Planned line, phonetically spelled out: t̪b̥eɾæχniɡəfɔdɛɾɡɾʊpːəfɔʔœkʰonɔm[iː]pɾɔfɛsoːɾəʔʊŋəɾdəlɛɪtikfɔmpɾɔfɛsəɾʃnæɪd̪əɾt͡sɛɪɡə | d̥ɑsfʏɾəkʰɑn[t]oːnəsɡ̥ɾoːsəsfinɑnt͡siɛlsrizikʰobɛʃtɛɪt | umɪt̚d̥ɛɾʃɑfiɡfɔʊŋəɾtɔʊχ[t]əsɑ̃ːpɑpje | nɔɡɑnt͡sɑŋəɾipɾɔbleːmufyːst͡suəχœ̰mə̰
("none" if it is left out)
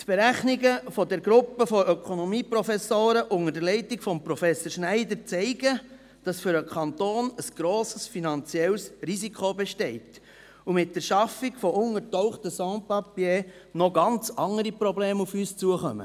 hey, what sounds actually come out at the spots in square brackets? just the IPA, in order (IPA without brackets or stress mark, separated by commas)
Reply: iː, t, t